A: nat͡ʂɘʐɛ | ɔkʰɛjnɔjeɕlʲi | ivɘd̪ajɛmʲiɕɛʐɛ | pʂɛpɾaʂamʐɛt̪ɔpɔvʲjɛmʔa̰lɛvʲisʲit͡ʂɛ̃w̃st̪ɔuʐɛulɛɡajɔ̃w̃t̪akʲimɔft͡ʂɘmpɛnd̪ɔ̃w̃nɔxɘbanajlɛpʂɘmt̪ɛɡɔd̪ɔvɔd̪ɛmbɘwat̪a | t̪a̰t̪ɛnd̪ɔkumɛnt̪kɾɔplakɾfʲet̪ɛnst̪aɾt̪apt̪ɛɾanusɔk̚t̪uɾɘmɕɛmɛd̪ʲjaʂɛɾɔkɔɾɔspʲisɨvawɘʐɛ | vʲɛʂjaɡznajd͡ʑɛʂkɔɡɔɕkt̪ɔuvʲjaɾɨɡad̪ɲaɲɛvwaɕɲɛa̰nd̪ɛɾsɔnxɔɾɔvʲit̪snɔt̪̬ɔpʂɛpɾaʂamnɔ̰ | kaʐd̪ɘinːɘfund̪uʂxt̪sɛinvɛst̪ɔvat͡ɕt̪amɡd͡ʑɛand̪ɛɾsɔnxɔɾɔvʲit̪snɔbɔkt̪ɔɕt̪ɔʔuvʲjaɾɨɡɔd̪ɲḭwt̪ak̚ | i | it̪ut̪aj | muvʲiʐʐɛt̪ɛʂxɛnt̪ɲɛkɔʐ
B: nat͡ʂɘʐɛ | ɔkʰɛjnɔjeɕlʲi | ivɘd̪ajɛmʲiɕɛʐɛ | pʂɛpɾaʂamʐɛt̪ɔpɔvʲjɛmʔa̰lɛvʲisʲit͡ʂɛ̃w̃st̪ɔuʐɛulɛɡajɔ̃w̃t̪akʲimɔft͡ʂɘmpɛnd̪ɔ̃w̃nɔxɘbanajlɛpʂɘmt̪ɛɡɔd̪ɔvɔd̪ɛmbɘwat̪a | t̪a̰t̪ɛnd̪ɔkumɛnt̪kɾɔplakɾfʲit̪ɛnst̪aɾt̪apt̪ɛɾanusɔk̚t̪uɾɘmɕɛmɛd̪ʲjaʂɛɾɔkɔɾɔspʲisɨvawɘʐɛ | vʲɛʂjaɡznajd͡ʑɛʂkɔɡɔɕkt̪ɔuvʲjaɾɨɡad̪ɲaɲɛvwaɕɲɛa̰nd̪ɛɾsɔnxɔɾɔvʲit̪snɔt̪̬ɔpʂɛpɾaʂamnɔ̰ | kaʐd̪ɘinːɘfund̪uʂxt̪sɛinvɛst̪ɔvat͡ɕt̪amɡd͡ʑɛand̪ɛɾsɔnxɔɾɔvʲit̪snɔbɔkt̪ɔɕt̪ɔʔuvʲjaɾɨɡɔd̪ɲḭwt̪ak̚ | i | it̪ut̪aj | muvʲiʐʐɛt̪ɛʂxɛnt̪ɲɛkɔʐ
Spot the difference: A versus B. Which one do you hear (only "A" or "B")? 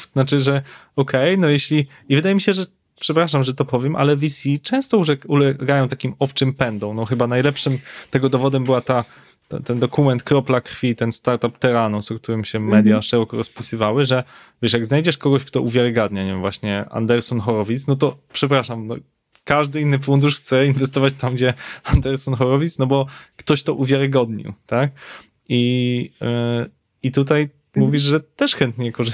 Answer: B